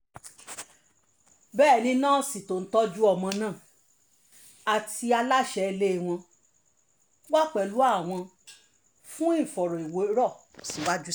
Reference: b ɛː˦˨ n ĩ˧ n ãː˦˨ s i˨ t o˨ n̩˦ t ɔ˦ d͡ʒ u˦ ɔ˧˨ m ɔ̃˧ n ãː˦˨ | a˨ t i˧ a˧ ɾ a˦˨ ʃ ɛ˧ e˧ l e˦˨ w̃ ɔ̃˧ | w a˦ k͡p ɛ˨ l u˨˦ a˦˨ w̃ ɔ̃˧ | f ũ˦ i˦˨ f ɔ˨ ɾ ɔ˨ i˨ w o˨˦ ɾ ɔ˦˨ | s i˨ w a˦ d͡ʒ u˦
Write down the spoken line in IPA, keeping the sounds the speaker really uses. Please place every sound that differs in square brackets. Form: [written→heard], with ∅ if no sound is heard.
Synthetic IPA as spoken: b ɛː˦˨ n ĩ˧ n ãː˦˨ s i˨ t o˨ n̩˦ t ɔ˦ d͡ʒ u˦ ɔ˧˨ m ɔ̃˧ n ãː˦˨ | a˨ t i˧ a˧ [ɾ→l] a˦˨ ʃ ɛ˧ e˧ l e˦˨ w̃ ɔ̃˧ | w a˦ k͡p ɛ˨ l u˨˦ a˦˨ w̃ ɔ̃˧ | f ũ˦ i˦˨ f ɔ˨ ɾ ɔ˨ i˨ w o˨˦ ɾ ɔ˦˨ | s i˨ w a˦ d͡ʒ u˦